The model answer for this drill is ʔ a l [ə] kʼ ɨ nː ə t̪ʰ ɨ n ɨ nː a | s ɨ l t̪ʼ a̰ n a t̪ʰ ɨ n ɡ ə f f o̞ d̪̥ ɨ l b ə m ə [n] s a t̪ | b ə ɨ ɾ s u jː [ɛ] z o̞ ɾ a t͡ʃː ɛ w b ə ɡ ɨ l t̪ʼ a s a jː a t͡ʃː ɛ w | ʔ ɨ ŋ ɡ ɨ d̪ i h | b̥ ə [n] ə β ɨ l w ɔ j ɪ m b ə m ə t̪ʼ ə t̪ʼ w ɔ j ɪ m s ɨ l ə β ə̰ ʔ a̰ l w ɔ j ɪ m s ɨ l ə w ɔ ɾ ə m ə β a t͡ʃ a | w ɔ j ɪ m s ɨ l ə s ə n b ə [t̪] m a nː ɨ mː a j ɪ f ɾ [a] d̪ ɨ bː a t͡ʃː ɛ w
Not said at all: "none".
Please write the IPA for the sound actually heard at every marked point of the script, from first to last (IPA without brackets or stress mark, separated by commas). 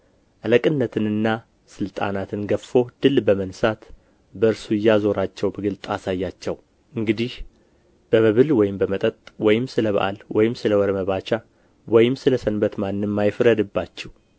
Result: ə, n, a, m, t̪, ə